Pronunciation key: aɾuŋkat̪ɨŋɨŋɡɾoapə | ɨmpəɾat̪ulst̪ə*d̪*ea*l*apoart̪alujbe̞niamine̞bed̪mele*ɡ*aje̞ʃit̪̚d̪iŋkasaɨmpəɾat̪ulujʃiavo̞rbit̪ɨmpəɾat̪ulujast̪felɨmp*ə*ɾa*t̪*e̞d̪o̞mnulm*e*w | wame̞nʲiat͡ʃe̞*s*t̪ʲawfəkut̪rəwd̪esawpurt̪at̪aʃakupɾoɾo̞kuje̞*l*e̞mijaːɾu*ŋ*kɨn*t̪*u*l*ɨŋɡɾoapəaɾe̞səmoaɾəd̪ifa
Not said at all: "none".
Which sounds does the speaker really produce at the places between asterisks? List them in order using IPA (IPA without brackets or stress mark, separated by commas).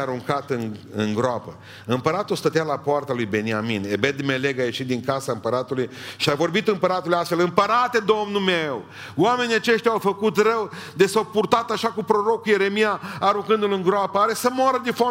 t̪, l, ɡ, ə, t̪, e, ʃ, ɾ, ŋ, d̪, l